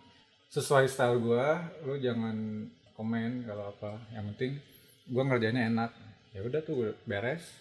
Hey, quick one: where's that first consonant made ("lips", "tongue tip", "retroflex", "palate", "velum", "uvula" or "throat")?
tongue tip